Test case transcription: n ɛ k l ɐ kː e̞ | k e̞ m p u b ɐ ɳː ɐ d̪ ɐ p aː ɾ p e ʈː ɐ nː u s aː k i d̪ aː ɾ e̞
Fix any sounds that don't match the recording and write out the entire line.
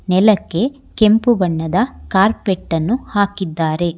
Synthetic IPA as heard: n ɛ l ɐ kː e̞ | k e̞ m p u b ɐ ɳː ɐ d̪ ɐ k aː ɾ p e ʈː ɐ nː u h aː k i d̪ː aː ɾ e̞